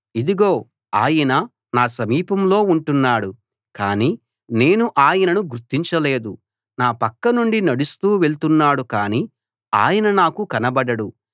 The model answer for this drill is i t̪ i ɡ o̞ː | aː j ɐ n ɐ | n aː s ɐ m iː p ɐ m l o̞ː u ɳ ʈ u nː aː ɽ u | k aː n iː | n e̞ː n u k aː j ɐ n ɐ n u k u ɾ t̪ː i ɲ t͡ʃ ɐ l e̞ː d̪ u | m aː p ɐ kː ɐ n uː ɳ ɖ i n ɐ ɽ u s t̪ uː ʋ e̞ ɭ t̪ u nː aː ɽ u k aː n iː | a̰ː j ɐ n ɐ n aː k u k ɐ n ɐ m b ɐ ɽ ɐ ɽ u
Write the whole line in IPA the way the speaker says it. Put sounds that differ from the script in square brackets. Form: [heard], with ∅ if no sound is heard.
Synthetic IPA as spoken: i [d̪] i ɡ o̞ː | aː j ɐ n ɐ | n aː s ɐ m iː p ɐ m l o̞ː u ɳ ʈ u nː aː ɽ u | k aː n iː | n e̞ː n u [ʔ] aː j ɐ n ɐ n u [ɡ] u ɾ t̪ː i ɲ t͡ʃ ɐ l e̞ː d̪ u | [n] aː p ɐ kː ɐ n [u] ɳ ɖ i n ɐ ɽ u s t̪ uː ʋ e̞ ɭ t̪ u nː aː ɽ u k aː n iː | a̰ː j ɐ n ɐ n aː k u k ɐ n ɐ [∅] b ɐ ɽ ɐ ɽ u